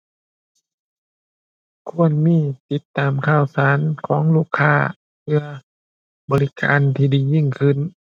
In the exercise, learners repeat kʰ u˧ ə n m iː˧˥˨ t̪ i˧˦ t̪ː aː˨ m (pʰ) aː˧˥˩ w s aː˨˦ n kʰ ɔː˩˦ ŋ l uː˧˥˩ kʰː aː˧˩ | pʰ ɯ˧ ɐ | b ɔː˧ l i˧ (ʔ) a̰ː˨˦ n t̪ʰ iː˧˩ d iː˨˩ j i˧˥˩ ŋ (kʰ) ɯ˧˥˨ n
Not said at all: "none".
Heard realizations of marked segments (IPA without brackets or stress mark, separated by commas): kʰ, k, kʰ